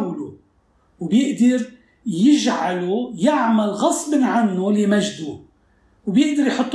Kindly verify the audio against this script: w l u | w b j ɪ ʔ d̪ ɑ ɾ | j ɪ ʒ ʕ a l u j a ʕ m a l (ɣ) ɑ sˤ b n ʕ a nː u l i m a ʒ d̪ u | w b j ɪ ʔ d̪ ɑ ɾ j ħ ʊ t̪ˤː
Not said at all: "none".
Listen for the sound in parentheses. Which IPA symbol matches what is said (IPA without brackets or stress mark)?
ɣ